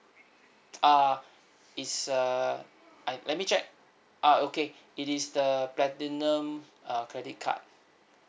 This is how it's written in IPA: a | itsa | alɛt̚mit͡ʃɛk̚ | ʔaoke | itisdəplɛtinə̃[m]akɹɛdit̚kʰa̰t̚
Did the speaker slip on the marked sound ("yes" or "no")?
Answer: no